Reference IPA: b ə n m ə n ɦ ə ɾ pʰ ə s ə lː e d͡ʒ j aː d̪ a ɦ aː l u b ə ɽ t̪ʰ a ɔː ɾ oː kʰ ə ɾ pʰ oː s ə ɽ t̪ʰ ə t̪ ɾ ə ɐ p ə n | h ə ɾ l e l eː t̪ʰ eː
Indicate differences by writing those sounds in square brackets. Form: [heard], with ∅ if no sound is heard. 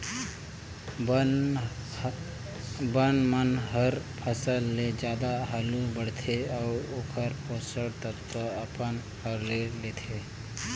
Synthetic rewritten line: b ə n m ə n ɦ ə ɾ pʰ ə s ə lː e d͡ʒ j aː d̪ a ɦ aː l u b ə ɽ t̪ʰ [e] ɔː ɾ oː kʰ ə ɾ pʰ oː s ə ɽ [t̪] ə t̪ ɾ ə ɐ p ə n | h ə ɾ l e l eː t̪ʰ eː